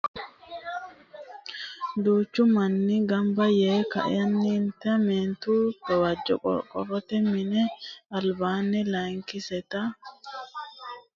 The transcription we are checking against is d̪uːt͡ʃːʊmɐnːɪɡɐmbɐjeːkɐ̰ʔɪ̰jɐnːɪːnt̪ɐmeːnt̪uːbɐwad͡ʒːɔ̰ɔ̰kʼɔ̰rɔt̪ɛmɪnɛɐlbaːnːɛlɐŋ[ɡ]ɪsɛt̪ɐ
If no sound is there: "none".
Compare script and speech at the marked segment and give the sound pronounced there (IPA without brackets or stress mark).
k